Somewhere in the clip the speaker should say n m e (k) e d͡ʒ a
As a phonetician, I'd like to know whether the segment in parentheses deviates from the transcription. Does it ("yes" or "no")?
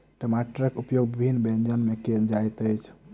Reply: no